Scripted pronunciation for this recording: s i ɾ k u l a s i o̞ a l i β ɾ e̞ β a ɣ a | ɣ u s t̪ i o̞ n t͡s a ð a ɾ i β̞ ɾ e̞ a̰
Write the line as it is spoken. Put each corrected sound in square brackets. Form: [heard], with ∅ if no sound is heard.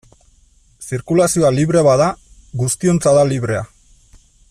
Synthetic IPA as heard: s i ɾ k u l a s i o̞ a l i β ɾ e̞ β a [ð] a | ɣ u s t̪ i o̞ n t͡s a ð a [l] i β̞ ɾ e̞ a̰